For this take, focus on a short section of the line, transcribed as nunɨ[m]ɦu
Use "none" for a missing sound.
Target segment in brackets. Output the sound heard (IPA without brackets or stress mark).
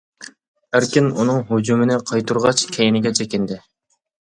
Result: ŋ